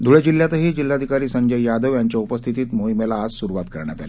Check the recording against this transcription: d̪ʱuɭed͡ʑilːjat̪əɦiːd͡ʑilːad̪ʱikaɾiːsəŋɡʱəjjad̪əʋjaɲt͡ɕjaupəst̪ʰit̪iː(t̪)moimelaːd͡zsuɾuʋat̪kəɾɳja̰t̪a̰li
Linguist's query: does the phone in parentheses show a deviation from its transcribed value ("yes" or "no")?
no